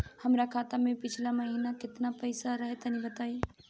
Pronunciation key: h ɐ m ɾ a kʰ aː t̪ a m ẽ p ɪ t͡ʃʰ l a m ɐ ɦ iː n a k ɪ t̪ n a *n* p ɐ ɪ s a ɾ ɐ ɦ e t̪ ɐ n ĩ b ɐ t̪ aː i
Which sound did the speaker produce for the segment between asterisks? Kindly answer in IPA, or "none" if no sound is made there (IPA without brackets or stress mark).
none